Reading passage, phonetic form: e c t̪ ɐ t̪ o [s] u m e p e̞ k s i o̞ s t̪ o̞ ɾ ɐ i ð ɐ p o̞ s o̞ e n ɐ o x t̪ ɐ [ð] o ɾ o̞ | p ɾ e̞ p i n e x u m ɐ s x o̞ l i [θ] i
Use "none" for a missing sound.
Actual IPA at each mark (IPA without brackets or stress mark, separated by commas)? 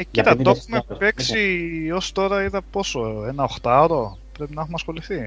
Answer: x, none, θ